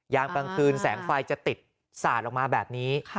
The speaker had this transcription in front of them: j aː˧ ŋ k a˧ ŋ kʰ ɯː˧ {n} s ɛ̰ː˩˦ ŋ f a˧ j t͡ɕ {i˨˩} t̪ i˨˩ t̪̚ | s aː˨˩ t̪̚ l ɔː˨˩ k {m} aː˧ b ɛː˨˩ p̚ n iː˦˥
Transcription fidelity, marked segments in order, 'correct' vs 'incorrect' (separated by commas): correct, incorrect, correct